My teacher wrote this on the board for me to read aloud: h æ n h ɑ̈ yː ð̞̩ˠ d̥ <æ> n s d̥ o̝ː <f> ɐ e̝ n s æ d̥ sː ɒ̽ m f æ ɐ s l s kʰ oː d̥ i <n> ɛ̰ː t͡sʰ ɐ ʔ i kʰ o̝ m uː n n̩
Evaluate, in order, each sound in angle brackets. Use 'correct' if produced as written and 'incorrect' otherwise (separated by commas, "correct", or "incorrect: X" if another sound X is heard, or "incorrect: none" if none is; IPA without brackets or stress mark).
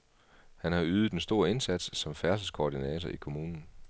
incorrect: e, incorrect: none, correct